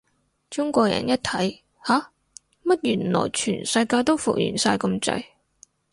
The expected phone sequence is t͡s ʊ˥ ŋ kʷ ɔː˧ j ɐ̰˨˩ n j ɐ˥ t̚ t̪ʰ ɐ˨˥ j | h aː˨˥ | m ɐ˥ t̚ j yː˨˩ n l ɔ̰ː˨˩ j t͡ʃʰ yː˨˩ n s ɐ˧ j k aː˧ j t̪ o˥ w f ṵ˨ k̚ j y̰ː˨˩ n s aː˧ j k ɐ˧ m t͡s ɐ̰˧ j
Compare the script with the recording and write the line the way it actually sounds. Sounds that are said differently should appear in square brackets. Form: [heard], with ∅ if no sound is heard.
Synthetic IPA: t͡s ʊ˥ ŋ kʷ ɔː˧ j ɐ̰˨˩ n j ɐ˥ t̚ t̪ʰ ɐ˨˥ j | h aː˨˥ | m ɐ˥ t̚ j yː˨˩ n l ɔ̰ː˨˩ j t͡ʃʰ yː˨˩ n s ɐ˧ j k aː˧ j t̪ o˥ w f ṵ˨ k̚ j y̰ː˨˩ n s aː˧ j k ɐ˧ m t͡s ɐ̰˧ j